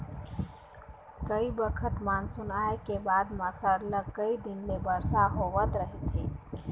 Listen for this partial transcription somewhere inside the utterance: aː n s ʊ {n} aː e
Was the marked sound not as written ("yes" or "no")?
no